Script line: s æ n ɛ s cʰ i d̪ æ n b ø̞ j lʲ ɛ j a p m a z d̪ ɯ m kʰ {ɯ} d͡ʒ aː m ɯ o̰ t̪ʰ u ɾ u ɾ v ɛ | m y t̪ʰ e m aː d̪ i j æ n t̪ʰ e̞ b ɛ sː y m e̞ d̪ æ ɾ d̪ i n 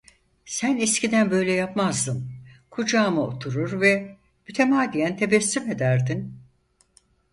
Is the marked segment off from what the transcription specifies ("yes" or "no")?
yes